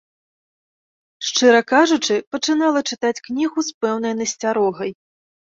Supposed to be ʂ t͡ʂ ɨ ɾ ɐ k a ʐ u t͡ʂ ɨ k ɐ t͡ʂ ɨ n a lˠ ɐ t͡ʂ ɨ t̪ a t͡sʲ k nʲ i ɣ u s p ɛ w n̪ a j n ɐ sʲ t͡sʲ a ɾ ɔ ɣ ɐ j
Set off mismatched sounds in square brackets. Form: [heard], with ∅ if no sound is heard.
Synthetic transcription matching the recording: ʂ t͡ʂ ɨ ɾ ɐ k a ʐ u t͡ʂ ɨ [p] ɐ t͡ʂ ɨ n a lˠ ɐ t͡ʂ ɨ t̪ a t͡sʲ k nʲ i ɣ u s p ɛ w n̪ [ɐ] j n ɐ sʲ t͡sʲ a ɾ ɔ ɣ ɐ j